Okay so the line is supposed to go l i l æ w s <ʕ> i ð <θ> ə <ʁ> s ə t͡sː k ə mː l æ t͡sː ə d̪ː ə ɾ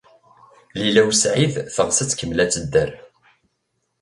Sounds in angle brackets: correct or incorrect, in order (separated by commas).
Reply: correct, correct, correct